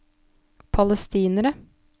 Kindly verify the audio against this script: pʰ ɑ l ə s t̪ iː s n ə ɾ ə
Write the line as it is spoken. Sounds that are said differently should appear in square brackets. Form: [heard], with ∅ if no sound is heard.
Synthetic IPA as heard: pʰ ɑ l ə s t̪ iː [∅] n ə ɾ ə